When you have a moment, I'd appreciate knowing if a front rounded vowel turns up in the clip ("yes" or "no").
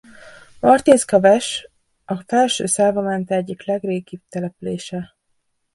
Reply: yes